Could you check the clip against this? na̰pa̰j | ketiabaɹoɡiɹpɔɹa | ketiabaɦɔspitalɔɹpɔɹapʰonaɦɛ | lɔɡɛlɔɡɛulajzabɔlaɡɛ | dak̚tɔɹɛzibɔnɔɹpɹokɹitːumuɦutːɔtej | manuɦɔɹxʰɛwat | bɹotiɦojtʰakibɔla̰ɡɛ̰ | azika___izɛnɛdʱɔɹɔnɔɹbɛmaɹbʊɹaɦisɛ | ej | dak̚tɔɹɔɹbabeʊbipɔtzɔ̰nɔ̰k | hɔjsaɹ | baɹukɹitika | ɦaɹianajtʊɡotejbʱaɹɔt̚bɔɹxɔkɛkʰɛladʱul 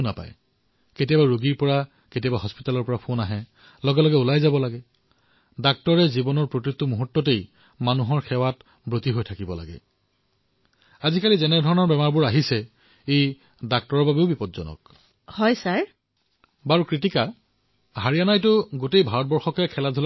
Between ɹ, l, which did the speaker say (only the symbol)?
l